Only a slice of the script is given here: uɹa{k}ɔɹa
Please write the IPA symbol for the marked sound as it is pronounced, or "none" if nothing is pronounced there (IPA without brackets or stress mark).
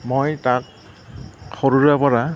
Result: p